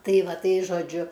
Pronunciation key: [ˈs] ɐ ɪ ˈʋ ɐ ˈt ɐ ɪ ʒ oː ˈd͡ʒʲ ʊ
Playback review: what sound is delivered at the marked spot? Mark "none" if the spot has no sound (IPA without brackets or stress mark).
t